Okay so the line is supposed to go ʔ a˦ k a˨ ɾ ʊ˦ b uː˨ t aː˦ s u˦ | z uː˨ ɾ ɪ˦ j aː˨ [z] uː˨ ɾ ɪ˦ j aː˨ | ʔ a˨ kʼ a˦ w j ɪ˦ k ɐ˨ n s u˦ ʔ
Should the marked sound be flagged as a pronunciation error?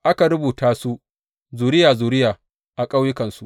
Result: no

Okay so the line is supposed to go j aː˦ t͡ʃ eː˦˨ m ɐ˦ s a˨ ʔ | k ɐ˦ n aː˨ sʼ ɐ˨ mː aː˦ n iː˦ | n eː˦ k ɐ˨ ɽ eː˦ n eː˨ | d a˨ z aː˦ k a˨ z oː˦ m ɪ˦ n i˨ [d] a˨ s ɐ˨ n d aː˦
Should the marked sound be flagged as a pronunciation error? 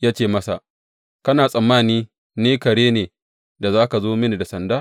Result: no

